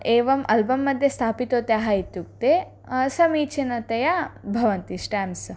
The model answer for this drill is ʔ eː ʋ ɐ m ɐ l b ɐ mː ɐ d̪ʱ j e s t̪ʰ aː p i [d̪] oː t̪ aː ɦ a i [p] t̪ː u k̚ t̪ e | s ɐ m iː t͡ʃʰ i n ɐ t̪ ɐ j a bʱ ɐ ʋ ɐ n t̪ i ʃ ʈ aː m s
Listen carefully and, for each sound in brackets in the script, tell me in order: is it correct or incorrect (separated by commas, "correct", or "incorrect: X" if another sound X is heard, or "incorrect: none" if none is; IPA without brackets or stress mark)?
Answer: incorrect: t̪, incorrect: none